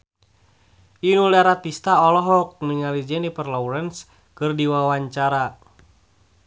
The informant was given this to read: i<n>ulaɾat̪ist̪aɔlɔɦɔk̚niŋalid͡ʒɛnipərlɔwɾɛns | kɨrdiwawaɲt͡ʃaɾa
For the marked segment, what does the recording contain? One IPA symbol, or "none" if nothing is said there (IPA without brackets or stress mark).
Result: n